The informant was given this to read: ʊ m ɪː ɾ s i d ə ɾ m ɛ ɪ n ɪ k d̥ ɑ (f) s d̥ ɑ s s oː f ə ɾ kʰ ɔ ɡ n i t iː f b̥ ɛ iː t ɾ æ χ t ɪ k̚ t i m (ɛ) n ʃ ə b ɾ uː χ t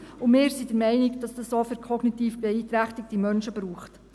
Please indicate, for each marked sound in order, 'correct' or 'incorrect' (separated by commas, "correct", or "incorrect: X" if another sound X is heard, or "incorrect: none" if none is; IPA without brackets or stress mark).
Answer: incorrect: none, incorrect: œ